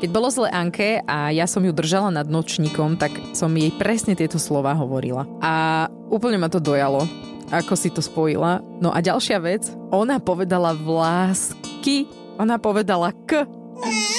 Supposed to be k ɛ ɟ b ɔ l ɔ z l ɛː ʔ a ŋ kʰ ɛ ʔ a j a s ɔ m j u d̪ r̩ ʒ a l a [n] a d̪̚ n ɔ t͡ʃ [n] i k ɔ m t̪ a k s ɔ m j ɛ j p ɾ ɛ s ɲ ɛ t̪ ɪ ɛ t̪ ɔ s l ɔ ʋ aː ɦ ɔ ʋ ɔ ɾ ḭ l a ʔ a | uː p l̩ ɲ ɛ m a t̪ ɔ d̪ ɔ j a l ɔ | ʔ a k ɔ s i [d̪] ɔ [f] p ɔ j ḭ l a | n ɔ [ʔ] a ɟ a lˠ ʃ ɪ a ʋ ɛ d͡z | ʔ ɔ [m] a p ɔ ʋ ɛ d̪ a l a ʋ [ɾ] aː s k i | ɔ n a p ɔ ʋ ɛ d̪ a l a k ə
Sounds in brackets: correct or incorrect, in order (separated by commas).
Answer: correct, incorrect, incorrect, incorrect, correct, incorrect, incorrect